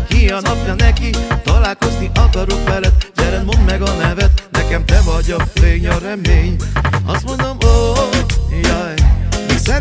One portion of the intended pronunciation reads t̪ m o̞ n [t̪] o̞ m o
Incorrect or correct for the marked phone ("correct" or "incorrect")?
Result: incorrect